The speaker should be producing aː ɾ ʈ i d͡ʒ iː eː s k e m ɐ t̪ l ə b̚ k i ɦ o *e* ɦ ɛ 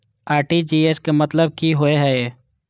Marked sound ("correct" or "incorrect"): correct